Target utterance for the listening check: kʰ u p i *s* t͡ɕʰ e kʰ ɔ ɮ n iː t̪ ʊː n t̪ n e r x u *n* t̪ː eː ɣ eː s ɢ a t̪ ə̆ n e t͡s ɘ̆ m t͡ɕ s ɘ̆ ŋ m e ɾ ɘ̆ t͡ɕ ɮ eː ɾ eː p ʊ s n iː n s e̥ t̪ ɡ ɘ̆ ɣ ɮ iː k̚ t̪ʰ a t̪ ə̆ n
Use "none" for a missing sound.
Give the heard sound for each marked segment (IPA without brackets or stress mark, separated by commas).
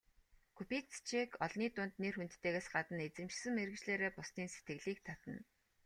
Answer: t͡s, n